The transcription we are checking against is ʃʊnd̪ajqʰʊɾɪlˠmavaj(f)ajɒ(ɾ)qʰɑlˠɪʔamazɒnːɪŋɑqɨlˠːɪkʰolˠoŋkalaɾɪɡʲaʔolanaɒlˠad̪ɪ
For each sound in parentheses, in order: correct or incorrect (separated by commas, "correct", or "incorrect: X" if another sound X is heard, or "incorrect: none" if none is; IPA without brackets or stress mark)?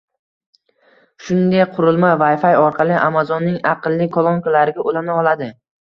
correct, correct